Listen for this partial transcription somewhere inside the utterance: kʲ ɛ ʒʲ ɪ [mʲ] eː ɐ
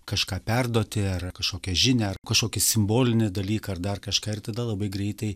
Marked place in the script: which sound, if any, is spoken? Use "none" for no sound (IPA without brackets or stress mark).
nʲ